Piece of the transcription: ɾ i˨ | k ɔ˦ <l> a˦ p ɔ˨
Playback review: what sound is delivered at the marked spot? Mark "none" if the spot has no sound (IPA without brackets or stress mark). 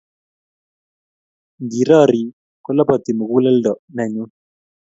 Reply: l